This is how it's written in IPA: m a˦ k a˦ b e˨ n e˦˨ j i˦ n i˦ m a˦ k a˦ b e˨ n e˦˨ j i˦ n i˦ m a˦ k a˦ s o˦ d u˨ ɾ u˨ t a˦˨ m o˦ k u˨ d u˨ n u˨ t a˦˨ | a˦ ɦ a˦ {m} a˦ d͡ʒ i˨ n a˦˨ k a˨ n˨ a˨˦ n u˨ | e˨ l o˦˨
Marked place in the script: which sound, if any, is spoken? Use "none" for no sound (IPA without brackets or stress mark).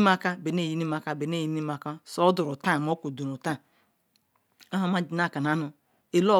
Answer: m